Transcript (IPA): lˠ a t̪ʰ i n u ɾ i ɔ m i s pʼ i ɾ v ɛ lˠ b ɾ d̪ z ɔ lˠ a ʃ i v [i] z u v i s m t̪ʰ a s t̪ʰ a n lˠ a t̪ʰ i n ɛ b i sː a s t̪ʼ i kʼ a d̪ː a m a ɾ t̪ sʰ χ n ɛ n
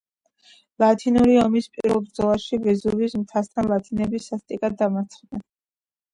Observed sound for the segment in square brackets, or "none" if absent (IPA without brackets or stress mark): ɛ